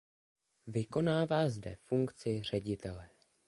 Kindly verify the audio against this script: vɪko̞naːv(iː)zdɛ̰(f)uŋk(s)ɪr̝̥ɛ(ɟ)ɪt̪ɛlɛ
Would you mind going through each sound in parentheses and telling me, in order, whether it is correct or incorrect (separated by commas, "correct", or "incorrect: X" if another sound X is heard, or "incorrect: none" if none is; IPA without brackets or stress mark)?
incorrect: aː, correct, incorrect: t͡s, correct